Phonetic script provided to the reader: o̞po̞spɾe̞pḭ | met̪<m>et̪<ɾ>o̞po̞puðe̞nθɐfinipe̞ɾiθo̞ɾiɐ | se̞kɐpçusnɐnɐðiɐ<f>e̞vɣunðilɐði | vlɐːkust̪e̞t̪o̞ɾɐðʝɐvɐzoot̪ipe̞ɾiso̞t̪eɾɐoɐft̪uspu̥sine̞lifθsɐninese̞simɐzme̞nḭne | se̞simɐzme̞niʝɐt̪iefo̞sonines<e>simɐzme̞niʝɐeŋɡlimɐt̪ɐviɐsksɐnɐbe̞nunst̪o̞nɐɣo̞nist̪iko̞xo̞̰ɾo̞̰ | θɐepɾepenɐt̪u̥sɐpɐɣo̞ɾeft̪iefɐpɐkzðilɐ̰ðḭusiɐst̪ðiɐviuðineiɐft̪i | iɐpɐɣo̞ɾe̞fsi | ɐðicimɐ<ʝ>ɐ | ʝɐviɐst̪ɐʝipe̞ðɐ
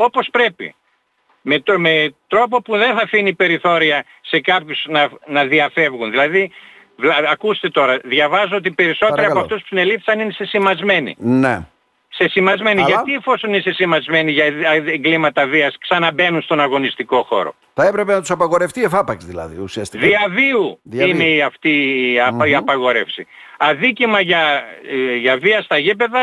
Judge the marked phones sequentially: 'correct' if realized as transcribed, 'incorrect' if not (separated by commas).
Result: correct, correct, correct, correct, correct